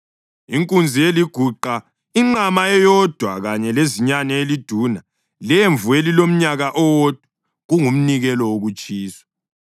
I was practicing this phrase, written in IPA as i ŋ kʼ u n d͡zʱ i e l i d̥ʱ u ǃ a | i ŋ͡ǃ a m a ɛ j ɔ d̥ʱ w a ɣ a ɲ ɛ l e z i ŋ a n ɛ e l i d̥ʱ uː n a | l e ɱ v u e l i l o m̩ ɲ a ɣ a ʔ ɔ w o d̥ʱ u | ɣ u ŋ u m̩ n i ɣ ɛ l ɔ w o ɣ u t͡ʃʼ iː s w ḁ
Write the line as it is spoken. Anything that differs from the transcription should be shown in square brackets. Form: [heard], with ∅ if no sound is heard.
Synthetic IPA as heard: i ŋ kʼ u n d͡zʱ i e l i [ɡ̥ʱ] u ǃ a | i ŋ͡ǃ a m a ɛ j ɔ d̥ʱ w a ɣ a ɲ ɛ l e z i [ɲ] a n ɛ e l i d̥ʱ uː n a | l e ɱ v u e l i l o m̩ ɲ a ɣ a ʔ ɔ w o d̥ʱ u | ɣ u ŋ u m̩ n i ɣ ɛ l ɔ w o ɣ u t͡ʃʼ iː s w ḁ